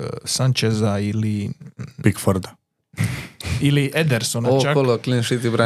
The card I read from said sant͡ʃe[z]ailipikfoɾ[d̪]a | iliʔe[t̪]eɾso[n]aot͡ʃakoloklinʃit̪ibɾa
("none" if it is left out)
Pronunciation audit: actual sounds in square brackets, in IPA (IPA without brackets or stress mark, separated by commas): z, d̪, d̪, n